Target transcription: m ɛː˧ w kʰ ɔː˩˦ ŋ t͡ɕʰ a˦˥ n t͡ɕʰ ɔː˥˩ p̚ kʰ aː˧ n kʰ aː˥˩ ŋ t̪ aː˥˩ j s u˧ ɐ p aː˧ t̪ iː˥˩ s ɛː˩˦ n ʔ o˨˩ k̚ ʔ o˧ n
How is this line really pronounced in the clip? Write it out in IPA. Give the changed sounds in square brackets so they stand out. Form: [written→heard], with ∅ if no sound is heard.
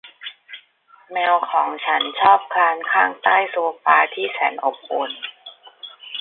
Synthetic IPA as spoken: m ɛː˧ w kʰ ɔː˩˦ ŋ t͡ɕʰ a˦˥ n t͡ɕʰ ɔː˥˩ p̚ kʰ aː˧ n kʰ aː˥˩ ŋ t̪ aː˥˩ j s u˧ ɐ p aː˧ [t̪→t̪ʰ] iː˥˩ s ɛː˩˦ n ʔ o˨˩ [k̚→p̚] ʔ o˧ n